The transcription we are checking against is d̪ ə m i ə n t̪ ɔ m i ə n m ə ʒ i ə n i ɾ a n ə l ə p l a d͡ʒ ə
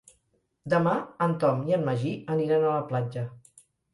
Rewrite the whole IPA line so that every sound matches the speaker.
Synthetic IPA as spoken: d̪ ə m a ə n t̪ ɔ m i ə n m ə ʒ i ə n i ɾ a n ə l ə p l a d͡ʒ ə